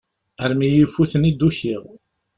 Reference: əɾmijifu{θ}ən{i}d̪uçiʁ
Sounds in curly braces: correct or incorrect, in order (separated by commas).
correct, correct